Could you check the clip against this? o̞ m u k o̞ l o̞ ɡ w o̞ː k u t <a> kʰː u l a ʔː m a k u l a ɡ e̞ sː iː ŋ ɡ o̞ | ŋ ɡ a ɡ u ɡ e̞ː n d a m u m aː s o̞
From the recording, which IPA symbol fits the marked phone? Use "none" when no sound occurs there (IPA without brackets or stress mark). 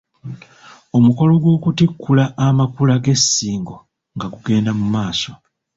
i